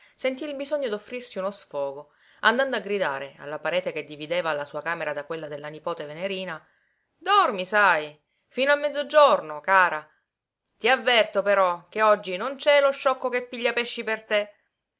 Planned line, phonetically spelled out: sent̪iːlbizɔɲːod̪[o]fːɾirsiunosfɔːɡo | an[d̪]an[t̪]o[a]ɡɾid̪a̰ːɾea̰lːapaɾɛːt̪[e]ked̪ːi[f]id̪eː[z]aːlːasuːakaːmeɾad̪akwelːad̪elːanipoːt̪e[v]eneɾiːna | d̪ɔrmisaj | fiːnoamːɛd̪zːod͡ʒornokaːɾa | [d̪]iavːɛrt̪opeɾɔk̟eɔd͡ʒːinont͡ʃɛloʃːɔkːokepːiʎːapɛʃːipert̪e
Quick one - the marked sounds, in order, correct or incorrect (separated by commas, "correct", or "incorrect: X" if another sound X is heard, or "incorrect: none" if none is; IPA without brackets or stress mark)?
correct, correct, incorrect: d̪, correct, correct, incorrect: v, incorrect: v, correct, incorrect: t̪